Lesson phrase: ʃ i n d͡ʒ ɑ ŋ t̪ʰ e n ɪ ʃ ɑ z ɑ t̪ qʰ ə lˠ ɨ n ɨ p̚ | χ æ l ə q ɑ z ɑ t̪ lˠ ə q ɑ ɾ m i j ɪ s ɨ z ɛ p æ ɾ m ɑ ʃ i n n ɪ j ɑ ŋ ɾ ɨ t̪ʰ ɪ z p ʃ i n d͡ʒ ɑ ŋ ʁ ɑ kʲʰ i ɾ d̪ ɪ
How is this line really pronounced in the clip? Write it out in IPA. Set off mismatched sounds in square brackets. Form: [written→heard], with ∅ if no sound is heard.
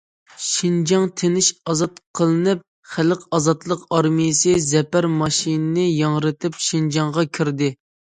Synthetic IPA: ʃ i n d͡ʒ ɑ ŋ t̪ʰ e n ɪ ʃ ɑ z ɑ t̪ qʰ ə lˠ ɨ n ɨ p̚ | χ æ l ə q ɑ z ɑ t̪ lˠ ə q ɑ ɾ m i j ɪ s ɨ z ɛ p æ ɾ m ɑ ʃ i n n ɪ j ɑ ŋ ɾ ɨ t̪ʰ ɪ [z→∅] p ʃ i n d͡ʒ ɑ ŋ ʁ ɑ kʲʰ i ɾ d̪ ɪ